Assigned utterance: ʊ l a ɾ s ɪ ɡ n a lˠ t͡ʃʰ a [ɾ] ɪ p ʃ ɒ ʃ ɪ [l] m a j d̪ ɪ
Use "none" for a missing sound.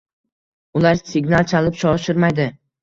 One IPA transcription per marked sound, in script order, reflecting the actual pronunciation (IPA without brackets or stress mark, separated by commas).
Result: l, ɾ